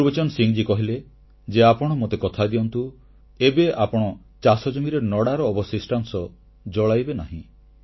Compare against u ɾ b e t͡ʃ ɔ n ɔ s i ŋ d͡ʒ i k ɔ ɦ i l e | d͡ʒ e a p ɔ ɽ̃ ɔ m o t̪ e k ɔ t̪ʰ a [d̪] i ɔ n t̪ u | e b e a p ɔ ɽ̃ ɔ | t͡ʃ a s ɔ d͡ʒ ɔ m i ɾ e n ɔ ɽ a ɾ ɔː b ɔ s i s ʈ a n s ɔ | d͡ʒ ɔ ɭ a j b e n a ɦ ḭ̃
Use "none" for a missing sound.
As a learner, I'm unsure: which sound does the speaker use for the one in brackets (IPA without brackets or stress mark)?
d̪